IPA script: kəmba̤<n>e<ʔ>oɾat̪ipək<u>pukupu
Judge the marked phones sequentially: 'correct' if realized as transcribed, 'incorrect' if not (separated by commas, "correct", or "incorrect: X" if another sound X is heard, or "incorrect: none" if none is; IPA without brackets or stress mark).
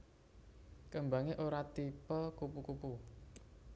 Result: incorrect: ŋ, correct, correct